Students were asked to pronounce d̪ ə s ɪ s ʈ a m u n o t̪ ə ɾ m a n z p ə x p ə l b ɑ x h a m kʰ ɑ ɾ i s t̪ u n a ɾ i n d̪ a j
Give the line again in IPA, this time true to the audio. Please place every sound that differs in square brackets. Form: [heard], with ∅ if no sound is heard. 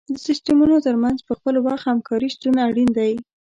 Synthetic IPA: d̪ ə s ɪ s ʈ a m u n o t̪ ə ɾ m a n z p ə x p ə l [w] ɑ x h a m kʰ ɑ ɾ i s t̪ u n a [ɽ] i n d̪ a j